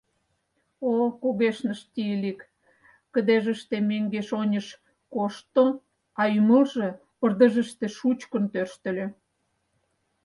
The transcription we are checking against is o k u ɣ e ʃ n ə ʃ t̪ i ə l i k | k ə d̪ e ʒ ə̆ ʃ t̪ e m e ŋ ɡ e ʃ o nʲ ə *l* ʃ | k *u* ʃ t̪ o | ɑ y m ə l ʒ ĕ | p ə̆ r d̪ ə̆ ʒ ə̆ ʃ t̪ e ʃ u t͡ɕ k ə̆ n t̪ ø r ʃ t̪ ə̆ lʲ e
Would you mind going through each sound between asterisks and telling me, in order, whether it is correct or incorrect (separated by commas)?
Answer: incorrect, incorrect